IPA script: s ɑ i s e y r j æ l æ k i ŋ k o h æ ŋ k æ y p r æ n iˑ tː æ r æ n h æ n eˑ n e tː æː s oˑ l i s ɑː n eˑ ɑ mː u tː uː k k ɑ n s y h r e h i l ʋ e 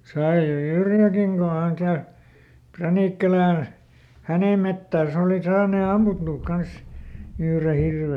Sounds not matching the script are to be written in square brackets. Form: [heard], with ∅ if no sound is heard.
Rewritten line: s ɑ i s e y r j æ l æ k i ŋ k o h æ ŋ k æ y p r æ n iˑ [kː] æ [l] æ n h æ n eˑ [m] e tː æː s oˑ l i s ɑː n eˑ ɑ mː u tː uː k k ɑ n s y h r e h i [r] ʋ e